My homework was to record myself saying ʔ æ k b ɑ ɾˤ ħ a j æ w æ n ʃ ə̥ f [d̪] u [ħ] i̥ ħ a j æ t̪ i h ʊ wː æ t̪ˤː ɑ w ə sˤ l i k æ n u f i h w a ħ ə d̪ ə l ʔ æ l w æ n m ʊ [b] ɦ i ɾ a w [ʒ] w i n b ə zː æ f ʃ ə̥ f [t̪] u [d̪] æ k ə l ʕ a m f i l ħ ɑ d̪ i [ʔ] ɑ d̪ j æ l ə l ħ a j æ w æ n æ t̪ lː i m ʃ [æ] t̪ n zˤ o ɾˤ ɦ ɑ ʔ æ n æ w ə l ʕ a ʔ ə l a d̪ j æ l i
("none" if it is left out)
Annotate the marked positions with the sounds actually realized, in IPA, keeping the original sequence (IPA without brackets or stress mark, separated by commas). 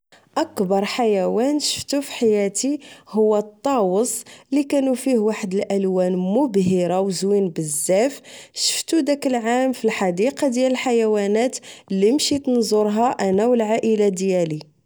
t̪, f, b, z, t̪, d̪, q, i